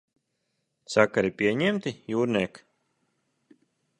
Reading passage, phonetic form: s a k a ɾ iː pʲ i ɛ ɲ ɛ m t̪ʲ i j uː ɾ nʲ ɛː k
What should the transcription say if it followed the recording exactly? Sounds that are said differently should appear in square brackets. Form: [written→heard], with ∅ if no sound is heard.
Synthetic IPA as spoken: s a k a ɾ [iː→i] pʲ i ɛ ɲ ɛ m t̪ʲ i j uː ɾ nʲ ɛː k